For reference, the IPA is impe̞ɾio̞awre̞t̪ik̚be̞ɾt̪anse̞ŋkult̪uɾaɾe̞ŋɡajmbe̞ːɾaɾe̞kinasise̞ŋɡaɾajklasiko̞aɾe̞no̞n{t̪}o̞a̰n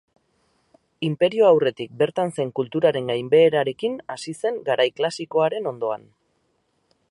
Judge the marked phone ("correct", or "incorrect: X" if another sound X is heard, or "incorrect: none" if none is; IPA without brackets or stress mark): incorrect: d̪